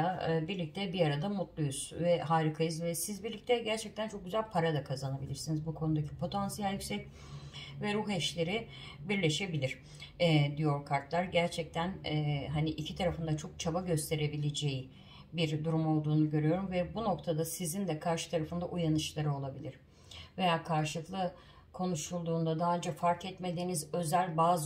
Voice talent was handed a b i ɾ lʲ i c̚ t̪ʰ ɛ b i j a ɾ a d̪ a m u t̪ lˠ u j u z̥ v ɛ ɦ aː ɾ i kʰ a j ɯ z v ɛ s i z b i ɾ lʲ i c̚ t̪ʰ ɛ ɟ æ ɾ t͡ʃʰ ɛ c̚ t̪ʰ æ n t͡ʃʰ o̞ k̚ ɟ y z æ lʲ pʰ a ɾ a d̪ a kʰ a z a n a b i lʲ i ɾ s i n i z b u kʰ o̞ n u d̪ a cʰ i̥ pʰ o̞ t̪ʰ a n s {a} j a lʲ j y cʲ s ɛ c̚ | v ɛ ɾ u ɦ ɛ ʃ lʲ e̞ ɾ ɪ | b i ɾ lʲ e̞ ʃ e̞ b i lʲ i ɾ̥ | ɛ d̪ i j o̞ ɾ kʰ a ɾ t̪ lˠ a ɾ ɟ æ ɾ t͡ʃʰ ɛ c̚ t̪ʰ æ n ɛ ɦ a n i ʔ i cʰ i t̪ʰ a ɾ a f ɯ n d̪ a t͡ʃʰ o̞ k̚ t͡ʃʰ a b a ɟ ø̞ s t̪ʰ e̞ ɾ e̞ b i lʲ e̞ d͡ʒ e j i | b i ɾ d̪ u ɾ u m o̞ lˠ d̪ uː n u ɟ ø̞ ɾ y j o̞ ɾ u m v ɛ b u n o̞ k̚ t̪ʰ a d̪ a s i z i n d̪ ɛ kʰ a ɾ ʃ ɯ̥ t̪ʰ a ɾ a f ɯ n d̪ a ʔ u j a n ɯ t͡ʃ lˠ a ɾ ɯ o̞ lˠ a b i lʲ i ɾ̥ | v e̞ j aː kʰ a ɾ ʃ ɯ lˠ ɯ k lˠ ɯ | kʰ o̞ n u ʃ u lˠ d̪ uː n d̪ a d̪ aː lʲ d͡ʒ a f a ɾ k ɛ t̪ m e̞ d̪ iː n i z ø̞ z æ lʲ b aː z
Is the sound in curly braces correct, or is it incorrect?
incorrect